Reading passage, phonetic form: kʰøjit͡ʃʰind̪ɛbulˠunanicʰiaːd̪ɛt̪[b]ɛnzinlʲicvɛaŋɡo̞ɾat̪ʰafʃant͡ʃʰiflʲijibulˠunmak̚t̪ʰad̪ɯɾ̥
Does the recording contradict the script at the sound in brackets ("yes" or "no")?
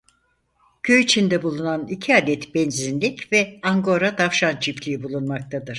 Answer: no